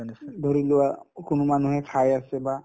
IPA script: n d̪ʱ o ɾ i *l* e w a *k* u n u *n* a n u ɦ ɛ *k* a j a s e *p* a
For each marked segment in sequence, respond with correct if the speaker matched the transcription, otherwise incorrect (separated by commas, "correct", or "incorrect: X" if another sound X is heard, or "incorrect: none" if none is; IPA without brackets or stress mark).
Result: correct, correct, incorrect: m, incorrect: kʰ, incorrect: b